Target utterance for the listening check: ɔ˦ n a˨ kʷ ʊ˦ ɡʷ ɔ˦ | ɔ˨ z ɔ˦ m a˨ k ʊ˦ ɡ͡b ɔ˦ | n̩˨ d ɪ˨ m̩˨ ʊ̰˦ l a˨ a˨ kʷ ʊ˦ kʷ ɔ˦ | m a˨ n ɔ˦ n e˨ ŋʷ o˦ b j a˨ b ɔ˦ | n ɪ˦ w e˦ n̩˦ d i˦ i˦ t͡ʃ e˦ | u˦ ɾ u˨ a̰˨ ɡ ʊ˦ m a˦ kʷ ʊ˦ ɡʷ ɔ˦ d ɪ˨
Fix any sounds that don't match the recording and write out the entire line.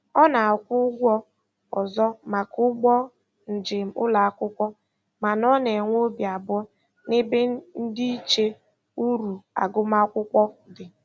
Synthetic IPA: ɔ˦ n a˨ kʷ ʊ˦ ɡʷ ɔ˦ | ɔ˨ z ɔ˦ m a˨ k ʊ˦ ɡ͡b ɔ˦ | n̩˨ d͡ʒ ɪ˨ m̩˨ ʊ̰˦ l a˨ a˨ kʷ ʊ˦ kʷ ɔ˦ | m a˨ n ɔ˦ n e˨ ŋʷ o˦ b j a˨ b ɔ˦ | n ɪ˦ b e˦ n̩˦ d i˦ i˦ t͡ʃ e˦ | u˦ ɾ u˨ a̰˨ ɡ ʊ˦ m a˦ kʷ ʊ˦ kʷ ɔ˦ d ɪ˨